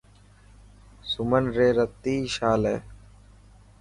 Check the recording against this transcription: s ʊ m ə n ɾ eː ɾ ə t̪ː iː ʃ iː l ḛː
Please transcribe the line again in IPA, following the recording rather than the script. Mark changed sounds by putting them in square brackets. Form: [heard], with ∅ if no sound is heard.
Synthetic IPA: s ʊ m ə n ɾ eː ɾ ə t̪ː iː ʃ [aː] l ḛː